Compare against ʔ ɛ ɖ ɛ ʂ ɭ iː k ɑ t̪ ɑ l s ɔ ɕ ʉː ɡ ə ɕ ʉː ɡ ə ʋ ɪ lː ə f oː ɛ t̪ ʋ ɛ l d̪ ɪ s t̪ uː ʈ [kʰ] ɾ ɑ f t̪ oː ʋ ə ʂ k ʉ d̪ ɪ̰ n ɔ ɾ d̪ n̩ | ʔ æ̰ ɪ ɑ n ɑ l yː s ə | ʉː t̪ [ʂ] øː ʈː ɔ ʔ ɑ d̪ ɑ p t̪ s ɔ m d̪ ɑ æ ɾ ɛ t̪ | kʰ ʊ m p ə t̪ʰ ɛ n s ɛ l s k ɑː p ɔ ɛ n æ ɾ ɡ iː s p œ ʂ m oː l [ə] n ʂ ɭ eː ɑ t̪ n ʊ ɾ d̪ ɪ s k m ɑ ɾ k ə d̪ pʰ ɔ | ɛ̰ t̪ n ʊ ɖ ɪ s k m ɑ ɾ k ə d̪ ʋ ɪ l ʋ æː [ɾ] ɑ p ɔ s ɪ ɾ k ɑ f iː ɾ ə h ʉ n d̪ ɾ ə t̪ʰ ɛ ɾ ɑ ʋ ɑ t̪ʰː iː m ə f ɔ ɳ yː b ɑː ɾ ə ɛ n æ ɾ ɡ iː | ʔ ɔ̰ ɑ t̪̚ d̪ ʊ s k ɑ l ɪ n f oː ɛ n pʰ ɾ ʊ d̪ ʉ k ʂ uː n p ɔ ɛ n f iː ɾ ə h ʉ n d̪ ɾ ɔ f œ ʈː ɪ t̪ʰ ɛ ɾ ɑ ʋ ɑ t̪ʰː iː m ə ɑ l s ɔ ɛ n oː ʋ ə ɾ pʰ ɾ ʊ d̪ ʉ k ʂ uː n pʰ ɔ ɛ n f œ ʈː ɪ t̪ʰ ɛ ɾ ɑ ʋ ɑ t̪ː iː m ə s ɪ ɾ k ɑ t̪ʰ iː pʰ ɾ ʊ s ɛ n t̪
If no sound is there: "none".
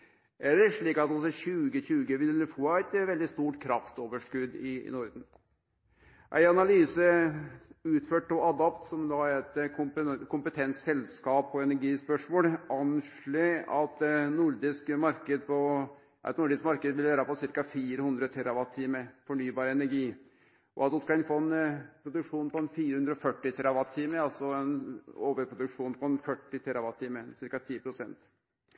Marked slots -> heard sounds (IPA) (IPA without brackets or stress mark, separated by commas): kʰ, f, ɑ, ɾ